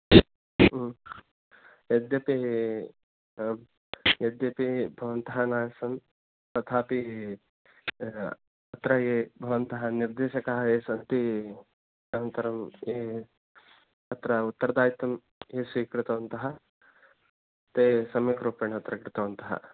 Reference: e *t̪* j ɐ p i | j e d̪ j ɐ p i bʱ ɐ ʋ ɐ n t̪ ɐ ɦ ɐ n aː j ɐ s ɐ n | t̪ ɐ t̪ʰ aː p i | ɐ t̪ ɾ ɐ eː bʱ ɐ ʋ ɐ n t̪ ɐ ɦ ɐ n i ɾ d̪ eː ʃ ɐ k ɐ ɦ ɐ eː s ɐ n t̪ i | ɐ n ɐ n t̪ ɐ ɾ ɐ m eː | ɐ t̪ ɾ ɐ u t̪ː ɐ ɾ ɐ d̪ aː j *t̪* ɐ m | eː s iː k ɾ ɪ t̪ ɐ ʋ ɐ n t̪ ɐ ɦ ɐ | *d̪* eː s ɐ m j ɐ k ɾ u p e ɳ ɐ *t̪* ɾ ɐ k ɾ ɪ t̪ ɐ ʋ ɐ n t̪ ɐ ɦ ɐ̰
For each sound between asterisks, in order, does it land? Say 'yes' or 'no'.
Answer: no, yes, no, yes

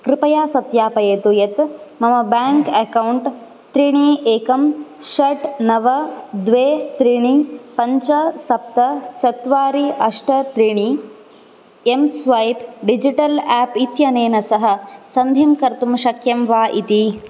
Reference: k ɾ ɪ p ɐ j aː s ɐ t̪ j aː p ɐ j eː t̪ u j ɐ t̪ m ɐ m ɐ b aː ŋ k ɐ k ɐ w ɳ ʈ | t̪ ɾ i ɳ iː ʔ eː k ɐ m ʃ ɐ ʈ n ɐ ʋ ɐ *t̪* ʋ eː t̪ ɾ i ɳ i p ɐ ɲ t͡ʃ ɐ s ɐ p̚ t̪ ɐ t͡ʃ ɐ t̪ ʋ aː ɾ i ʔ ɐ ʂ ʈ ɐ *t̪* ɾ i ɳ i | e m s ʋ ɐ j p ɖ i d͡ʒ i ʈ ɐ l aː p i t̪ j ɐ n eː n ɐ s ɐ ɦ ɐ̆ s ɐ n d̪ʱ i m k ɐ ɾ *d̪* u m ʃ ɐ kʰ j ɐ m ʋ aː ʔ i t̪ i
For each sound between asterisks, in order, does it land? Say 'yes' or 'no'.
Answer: no, yes, no

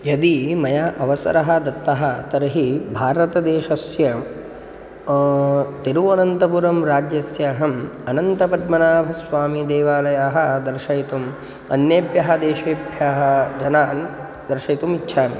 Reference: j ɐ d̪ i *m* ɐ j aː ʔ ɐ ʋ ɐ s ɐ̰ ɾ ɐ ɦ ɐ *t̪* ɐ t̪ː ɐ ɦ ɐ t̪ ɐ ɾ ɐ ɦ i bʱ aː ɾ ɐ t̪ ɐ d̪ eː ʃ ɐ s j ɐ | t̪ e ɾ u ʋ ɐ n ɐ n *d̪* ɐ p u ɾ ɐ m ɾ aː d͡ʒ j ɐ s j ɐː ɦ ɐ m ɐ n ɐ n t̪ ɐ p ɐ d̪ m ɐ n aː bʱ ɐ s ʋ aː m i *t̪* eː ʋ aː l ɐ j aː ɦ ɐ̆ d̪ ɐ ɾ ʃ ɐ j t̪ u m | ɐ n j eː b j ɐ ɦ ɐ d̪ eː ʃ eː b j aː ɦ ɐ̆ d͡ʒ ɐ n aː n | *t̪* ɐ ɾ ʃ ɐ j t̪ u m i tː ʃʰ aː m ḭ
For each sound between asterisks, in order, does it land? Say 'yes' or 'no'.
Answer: yes, no, no, no, no

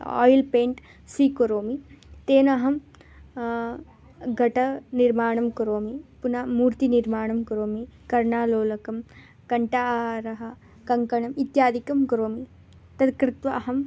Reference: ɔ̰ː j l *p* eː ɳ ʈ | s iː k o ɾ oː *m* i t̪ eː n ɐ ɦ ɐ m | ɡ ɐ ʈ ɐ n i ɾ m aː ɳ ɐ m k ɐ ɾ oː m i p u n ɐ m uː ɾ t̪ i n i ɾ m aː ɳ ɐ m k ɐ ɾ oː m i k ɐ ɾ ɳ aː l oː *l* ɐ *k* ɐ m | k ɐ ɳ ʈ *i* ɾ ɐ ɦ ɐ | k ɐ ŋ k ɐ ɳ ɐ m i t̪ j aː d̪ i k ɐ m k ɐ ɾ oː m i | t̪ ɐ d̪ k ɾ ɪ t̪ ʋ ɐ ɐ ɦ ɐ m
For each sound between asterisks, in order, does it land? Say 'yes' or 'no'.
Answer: yes, yes, yes, yes, no

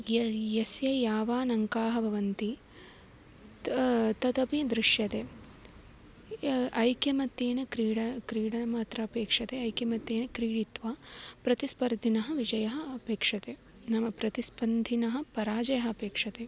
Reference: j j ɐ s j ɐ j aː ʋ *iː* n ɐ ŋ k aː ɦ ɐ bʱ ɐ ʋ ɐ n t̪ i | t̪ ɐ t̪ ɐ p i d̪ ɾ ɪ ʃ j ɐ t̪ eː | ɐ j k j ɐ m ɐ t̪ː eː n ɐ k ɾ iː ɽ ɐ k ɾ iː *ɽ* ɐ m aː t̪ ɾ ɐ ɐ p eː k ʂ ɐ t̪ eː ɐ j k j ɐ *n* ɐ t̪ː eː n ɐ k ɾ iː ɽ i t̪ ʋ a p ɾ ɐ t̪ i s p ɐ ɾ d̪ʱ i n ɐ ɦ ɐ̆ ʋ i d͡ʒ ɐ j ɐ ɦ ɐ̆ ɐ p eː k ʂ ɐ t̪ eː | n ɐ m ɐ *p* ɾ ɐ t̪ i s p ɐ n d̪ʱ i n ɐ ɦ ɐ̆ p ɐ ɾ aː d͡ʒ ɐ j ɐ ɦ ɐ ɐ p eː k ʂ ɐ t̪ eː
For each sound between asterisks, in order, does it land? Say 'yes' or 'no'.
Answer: no, yes, no, yes

